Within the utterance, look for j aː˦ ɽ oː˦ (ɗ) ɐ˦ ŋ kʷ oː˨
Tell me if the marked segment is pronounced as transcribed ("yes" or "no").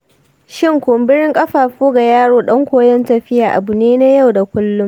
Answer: yes